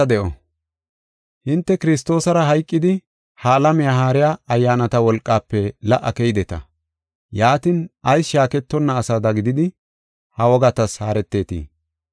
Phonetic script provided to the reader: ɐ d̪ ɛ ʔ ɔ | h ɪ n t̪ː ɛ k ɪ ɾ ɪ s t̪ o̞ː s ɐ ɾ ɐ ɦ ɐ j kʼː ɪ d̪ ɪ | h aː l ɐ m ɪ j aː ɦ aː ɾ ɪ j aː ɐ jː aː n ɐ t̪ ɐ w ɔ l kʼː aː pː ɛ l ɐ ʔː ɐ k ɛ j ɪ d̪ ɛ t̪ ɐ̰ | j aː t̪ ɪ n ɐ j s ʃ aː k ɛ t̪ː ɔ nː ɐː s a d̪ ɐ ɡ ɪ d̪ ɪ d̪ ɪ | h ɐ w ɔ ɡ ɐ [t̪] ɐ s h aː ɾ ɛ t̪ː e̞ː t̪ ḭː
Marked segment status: correct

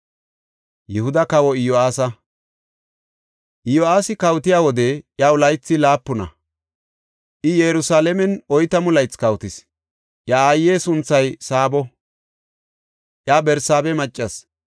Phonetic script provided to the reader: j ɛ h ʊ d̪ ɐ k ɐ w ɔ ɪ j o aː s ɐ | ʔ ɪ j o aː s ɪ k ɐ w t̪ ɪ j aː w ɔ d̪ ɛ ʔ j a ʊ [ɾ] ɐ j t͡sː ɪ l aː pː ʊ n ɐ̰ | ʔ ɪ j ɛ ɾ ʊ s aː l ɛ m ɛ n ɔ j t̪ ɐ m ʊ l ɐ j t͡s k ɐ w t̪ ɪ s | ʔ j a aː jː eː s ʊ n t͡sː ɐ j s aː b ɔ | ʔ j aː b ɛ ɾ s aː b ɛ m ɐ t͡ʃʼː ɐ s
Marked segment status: incorrect: l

